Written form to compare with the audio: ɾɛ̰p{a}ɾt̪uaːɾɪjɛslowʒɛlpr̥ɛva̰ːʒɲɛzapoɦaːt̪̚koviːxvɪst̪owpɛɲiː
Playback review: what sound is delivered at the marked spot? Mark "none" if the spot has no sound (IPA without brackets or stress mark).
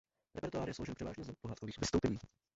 ɛ